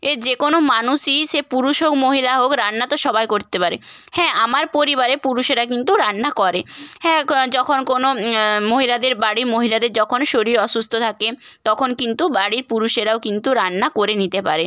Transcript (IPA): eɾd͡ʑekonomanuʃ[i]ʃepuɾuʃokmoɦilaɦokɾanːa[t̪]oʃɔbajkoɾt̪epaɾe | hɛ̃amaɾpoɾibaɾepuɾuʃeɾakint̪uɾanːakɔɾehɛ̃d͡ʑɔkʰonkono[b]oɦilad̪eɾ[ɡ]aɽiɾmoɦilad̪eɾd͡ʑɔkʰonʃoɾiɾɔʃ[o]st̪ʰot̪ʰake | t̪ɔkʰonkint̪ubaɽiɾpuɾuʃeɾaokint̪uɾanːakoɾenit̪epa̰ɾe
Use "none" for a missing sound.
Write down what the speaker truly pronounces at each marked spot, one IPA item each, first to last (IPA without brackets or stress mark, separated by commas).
i, t̪, m, b, u